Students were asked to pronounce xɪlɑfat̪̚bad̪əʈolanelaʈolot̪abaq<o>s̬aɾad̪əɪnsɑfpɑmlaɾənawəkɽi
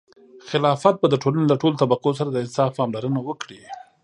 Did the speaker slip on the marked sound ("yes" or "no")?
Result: no